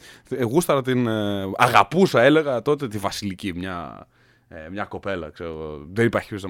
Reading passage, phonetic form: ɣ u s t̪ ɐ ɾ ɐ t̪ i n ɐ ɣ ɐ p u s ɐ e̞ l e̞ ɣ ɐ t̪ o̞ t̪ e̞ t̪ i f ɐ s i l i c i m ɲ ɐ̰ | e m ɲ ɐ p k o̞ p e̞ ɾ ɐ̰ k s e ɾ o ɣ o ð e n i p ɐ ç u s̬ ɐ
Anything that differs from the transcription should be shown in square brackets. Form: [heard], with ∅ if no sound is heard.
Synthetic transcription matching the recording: ɣ u s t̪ ɐ ɾ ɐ t̪ i n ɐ ɣ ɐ p u s ɐ e̞ l e̞ ɣ ɐ t̪ o̞ t̪ e̞ t̪ i [v] ɐ s i l i c i m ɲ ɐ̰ | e m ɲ ɐ [∅] k o̞ p e̞ [l] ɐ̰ k s e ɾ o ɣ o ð e n i p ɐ ç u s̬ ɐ